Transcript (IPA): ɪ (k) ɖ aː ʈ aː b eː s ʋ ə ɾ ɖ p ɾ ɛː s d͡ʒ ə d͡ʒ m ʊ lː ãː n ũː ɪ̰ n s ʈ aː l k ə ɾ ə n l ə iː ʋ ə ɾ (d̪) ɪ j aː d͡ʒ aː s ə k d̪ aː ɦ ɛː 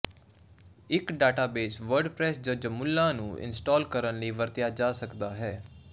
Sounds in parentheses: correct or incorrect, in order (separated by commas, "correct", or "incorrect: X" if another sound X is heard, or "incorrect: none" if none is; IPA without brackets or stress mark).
correct, incorrect: t̪